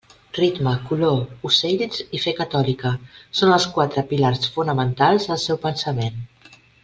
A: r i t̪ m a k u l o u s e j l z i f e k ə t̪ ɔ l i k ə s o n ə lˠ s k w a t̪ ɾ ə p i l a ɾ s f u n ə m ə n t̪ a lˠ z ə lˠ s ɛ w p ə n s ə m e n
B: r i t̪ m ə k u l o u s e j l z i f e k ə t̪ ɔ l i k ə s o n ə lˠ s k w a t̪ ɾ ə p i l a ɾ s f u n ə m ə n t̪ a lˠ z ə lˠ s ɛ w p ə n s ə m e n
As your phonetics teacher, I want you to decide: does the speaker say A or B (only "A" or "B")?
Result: B